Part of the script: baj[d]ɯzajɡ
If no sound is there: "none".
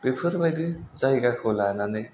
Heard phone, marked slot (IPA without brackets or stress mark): d